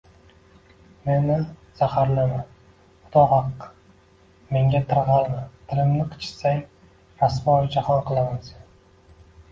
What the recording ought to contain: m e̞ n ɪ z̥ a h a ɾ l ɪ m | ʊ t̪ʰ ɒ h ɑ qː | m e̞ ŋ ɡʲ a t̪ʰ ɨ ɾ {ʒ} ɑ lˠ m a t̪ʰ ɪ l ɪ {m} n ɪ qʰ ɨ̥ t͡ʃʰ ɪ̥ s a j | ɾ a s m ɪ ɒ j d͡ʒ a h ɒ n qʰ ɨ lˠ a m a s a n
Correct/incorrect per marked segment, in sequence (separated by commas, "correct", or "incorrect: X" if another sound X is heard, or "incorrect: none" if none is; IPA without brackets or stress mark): incorrect: ʁ, correct